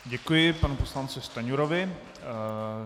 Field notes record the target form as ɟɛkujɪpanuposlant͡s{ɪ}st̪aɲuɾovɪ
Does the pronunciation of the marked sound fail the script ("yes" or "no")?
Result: no